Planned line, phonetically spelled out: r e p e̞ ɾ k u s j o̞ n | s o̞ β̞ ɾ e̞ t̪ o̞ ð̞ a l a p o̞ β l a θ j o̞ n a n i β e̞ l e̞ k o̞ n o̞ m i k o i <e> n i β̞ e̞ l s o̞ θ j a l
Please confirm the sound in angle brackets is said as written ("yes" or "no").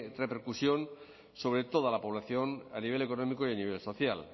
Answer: no